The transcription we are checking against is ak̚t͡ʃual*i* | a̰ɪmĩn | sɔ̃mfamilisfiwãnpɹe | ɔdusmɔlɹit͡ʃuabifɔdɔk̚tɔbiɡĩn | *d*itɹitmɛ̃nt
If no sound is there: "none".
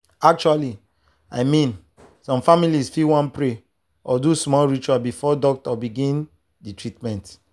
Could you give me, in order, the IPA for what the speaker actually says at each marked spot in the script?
i, d

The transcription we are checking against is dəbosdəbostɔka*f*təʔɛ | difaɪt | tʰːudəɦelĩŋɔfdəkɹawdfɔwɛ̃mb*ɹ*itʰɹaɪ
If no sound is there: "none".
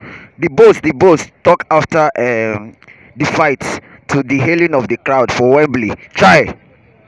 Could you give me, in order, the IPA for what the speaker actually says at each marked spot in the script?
f, l

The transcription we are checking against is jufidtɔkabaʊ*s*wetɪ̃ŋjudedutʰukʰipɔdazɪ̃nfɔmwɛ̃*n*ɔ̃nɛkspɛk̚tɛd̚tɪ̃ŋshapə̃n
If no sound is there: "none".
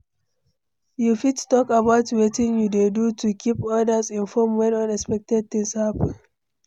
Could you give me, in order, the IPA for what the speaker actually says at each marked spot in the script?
t, n

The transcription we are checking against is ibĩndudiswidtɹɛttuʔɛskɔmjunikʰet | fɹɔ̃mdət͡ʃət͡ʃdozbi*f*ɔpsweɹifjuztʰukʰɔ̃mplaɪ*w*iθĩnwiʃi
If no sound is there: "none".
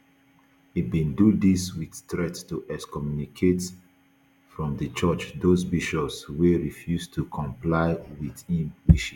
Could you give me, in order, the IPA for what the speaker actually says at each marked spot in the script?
ʃ, w

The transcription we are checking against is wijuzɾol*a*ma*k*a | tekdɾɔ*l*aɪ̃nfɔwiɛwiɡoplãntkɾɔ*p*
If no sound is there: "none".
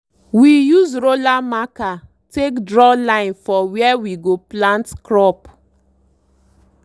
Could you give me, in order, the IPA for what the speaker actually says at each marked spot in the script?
a, k, l, p

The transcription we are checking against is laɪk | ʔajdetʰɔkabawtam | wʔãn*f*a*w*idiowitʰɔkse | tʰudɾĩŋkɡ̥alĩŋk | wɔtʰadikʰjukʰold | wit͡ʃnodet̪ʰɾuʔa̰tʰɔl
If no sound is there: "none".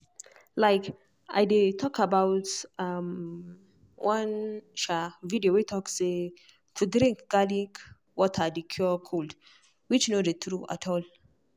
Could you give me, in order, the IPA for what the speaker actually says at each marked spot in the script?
ʃ, v

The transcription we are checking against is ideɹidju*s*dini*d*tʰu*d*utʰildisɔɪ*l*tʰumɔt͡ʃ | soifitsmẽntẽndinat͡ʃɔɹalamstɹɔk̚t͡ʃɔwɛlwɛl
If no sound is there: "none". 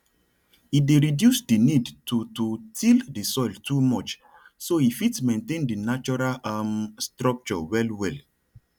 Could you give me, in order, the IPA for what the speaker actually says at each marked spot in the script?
s, d, t, l

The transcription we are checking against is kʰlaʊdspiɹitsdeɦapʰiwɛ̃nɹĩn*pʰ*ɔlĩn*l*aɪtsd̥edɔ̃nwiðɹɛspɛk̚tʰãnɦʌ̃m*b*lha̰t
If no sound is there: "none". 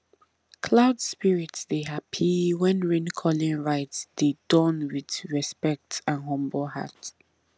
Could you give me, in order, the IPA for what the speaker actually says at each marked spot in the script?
kʰ, ɹ, b

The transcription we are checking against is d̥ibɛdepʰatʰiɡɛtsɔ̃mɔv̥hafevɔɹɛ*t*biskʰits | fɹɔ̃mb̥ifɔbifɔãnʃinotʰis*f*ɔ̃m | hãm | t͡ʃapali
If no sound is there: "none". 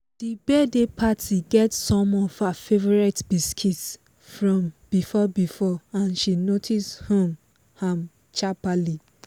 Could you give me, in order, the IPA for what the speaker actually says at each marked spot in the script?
t, h

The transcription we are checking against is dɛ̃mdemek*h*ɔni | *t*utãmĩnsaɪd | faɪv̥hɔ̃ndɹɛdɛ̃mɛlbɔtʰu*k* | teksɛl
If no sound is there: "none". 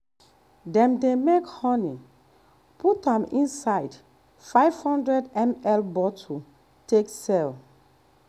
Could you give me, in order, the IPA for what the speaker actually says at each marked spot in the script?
h, p, none

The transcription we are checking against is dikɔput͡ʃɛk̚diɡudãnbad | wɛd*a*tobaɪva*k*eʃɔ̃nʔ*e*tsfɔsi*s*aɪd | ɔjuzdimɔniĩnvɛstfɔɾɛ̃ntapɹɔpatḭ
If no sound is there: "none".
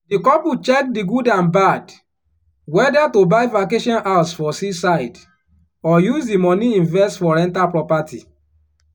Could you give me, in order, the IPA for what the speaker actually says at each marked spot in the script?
a, k, a, s

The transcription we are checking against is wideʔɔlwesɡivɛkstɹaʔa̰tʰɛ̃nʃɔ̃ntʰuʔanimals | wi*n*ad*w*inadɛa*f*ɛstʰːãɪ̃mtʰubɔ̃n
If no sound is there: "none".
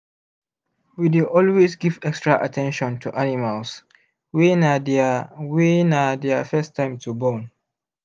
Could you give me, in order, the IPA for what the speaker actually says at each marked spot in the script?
n, w, f

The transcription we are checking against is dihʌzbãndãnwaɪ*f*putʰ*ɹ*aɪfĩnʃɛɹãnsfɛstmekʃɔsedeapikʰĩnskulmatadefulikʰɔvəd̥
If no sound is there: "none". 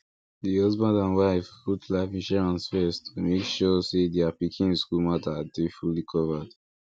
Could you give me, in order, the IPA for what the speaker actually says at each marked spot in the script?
f, l

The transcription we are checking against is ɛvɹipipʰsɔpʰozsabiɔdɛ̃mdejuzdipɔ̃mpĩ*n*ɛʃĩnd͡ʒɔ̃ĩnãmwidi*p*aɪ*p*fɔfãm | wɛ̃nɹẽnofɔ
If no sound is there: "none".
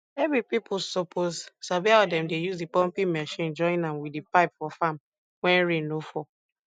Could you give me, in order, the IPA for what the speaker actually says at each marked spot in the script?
m, p, p

